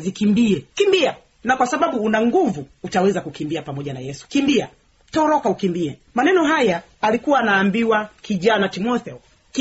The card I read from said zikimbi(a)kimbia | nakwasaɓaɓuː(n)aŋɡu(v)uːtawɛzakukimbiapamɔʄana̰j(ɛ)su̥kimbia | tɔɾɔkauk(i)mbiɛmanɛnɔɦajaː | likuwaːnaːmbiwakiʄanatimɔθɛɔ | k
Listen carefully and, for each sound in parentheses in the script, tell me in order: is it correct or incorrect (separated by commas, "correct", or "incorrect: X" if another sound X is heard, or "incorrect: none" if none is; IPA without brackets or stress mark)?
incorrect: ɛ, correct, correct, correct, correct